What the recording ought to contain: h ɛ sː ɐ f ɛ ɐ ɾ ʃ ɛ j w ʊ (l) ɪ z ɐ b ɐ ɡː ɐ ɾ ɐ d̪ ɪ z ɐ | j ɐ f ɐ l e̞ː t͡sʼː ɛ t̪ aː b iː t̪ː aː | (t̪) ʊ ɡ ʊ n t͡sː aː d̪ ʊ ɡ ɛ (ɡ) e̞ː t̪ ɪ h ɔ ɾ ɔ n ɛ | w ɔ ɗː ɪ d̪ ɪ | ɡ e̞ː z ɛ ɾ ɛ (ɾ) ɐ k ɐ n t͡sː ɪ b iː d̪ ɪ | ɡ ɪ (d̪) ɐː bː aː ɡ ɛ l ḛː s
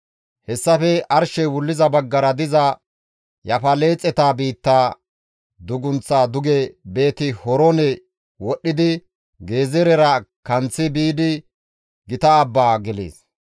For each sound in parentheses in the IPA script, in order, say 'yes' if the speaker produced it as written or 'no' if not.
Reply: no, no, no, yes, no

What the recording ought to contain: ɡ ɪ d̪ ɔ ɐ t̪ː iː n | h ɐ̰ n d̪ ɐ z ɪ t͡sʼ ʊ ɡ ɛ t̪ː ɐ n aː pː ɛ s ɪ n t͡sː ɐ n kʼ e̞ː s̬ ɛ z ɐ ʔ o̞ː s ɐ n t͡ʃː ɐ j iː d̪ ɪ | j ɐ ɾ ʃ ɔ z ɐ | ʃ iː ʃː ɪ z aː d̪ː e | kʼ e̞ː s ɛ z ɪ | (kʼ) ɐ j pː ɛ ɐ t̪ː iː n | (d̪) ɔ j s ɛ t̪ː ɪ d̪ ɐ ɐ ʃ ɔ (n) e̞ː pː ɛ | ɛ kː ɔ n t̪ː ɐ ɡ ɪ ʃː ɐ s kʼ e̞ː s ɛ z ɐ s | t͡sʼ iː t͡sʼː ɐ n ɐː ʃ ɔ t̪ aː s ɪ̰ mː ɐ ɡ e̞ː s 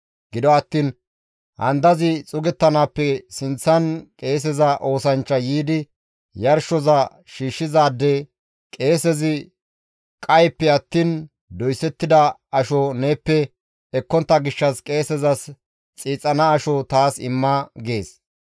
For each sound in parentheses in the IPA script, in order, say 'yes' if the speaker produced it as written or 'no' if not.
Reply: yes, yes, yes

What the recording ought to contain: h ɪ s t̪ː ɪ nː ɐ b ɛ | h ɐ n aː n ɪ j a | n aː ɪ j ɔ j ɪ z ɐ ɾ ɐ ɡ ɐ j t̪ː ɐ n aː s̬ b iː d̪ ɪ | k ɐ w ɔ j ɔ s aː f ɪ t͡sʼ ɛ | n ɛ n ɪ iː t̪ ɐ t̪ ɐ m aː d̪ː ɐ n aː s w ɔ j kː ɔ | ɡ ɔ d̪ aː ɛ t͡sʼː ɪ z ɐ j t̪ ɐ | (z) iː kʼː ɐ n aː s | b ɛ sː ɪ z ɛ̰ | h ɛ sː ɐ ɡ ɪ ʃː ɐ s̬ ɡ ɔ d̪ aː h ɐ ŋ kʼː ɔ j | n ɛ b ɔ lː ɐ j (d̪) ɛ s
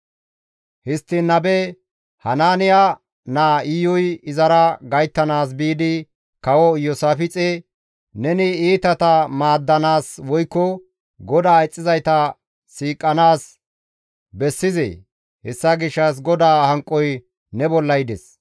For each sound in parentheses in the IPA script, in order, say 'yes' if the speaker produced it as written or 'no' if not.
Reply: no, yes

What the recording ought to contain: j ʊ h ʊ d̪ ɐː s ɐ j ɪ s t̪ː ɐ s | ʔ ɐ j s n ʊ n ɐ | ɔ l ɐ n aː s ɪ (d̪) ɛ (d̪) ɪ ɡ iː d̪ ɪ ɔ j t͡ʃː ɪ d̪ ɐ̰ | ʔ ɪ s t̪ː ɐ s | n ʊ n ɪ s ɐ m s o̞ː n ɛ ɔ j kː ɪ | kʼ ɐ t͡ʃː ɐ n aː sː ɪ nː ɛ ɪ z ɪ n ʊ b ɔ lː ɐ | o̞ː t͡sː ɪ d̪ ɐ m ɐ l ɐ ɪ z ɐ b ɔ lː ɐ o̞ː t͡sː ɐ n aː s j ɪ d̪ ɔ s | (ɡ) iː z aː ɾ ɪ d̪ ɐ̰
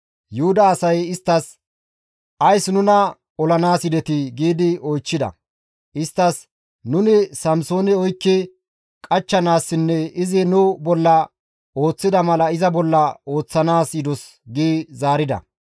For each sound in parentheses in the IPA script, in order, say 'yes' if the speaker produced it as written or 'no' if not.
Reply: yes, no, yes

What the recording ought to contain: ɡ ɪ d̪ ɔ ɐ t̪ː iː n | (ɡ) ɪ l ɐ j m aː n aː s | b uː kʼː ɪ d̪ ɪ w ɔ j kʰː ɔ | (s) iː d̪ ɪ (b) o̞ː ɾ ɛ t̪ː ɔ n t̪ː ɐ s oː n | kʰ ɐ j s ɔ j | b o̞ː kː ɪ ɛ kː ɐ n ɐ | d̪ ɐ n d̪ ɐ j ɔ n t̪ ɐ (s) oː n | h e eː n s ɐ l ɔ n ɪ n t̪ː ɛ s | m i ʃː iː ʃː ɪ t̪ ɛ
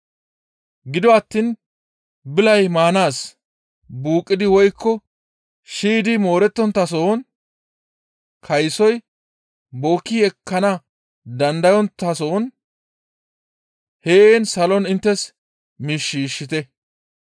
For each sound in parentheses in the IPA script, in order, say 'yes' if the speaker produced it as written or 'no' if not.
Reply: no, no, no, yes

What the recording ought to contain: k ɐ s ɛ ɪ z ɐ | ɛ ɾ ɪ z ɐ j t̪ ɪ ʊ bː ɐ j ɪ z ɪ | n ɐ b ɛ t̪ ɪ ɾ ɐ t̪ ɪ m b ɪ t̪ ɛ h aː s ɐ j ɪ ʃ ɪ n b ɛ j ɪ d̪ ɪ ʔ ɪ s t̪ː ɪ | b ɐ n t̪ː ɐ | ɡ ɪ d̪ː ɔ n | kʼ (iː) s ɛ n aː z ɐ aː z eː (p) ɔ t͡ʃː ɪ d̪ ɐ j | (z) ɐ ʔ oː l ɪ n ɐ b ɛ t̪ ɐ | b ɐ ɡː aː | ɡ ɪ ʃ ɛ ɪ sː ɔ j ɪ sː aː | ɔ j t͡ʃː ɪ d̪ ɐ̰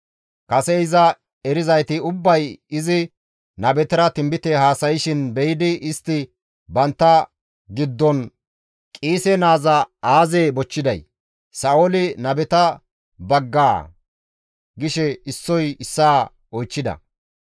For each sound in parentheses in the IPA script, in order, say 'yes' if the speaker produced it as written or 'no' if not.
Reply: yes, no, no

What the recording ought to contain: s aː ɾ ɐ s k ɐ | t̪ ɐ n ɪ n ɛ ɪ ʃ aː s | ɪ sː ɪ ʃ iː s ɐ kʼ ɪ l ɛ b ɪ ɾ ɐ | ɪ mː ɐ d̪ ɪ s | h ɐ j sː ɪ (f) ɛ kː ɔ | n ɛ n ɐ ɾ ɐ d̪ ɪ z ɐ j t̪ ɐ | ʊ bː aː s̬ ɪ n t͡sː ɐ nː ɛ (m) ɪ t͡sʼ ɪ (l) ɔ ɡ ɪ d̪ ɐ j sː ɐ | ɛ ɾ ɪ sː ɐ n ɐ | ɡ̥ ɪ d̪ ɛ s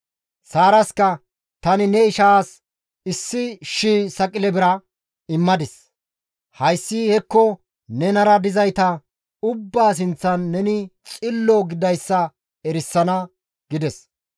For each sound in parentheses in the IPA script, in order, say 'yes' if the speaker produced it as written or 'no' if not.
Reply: no, no, no

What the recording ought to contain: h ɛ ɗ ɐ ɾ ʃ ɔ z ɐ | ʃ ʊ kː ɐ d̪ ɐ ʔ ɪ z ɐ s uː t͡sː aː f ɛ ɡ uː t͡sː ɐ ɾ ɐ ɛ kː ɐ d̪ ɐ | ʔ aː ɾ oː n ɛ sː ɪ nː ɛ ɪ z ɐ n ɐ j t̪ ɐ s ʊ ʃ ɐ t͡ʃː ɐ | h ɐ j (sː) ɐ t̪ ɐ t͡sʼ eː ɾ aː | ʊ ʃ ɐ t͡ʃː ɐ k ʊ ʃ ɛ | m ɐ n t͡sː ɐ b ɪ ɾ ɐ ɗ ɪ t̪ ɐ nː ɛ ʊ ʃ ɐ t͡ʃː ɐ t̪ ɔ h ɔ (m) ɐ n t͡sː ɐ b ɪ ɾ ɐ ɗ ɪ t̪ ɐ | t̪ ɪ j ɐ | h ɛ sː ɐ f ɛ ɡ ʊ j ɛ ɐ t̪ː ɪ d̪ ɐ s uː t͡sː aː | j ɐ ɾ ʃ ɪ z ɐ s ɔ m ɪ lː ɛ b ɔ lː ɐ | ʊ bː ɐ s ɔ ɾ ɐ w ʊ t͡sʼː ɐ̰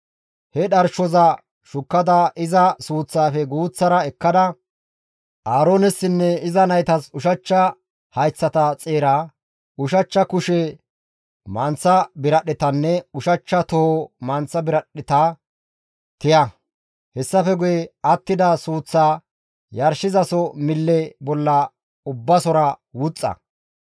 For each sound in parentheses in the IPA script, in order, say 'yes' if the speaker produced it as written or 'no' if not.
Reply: no, yes

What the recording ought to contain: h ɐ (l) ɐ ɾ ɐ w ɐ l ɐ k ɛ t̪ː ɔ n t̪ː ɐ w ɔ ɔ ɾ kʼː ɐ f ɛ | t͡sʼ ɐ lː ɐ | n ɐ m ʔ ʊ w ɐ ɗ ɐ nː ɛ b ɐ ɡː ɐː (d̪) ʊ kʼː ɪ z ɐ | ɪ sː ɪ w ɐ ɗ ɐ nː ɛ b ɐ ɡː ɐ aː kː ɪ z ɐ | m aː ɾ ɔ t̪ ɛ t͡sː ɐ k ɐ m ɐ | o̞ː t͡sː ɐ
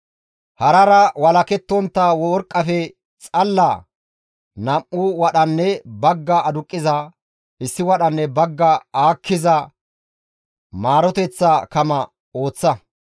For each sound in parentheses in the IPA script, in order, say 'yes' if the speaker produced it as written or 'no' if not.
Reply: no, yes

